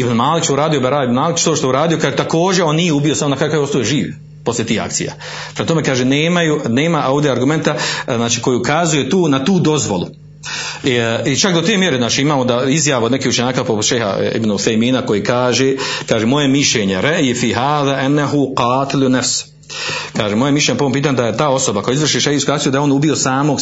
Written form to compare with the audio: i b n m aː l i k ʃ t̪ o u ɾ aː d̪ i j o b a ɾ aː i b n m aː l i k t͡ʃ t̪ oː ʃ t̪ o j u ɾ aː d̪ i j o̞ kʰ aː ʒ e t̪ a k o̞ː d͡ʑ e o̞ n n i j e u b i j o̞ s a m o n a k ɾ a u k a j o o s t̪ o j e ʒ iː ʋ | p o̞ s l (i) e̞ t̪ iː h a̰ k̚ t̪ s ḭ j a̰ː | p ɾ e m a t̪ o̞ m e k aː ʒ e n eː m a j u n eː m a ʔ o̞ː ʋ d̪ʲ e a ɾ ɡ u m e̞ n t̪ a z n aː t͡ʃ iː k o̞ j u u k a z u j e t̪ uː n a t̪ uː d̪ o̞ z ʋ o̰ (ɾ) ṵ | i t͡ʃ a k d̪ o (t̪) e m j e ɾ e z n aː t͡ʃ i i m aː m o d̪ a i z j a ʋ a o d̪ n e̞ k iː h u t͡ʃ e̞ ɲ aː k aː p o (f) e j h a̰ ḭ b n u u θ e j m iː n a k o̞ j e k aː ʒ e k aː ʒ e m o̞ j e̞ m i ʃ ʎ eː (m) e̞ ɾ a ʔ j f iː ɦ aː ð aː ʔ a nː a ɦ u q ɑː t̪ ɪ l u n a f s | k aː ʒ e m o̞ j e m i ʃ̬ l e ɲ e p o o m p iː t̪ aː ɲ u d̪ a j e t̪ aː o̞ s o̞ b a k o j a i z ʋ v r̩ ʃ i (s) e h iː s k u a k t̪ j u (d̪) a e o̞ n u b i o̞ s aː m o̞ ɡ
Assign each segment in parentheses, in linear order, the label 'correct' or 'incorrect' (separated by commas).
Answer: incorrect, incorrect, correct, incorrect, incorrect, incorrect, correct